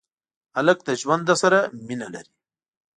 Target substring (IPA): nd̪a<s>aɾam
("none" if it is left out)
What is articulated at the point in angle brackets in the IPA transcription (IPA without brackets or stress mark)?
s